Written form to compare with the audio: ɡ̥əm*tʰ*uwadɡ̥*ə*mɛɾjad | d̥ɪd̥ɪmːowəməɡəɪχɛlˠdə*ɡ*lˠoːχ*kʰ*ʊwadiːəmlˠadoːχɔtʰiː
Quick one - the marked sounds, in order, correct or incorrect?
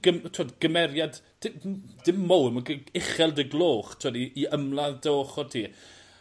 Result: correct, correct, correct, incorrect

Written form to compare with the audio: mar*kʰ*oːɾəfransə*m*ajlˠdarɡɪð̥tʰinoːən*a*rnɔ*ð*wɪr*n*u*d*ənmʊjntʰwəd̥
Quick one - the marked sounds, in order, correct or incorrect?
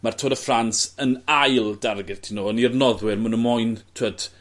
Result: incorrect, incorrect, incorrect, correct, incorrect, incorrect

